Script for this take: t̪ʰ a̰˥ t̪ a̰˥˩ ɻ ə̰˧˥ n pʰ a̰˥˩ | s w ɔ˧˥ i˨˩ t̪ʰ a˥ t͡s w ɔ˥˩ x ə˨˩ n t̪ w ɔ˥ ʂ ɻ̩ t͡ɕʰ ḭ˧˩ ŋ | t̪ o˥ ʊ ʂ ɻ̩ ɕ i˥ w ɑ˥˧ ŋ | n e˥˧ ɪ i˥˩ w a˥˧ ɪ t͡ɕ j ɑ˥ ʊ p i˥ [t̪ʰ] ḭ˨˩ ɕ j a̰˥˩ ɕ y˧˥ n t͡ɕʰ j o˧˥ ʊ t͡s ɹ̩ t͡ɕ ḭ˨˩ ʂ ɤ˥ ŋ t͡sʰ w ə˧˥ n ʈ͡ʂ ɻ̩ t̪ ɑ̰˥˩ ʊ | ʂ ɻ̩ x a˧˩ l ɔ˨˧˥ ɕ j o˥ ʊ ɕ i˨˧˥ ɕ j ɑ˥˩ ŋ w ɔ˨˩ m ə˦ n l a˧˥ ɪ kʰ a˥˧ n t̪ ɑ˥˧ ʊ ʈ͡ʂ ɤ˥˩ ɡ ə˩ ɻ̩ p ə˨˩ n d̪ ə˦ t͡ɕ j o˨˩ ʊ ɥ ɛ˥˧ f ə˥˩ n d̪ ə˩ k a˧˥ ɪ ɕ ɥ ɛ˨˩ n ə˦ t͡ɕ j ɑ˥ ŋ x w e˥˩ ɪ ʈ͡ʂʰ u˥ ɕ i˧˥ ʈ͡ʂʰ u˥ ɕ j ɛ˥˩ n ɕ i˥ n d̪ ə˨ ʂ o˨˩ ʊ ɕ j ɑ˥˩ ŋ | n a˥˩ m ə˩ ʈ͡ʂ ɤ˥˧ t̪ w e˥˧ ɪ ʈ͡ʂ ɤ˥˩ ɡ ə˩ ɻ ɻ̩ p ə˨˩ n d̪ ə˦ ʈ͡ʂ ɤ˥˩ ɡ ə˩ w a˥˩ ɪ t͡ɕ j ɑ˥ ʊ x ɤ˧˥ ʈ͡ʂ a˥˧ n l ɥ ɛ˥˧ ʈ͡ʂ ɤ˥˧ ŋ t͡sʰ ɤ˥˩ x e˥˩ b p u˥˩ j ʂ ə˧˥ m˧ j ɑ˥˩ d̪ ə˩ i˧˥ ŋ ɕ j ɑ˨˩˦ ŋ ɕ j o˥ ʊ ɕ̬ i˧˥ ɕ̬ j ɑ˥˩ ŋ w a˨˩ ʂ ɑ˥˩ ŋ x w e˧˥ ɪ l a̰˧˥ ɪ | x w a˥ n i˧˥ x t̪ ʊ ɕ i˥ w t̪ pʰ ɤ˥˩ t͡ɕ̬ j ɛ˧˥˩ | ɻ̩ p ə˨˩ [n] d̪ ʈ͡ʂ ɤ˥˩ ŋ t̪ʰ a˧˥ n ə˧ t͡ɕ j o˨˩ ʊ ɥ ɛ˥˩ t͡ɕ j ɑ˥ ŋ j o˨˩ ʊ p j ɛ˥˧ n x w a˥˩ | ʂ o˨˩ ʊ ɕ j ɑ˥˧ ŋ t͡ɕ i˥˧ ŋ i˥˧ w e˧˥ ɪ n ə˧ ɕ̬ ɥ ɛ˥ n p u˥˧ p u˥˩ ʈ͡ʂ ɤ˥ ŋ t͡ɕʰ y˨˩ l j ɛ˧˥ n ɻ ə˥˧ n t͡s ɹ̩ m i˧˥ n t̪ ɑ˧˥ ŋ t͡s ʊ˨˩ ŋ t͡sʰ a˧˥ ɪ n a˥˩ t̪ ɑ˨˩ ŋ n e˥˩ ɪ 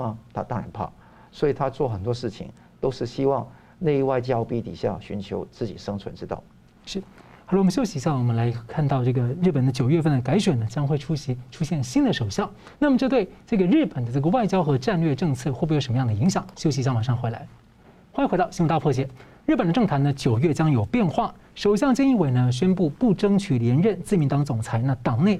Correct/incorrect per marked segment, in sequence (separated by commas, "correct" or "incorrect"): incorrect, correct